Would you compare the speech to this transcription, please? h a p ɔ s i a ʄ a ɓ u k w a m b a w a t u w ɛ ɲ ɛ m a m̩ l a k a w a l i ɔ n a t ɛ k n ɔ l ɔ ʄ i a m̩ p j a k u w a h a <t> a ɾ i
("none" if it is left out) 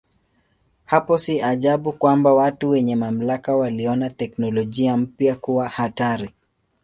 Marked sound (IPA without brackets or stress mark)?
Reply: t